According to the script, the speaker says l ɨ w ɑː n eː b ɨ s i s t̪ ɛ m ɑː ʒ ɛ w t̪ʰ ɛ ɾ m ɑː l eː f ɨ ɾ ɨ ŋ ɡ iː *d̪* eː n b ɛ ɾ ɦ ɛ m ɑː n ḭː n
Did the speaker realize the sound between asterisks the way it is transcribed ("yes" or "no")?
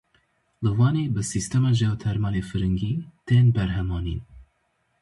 no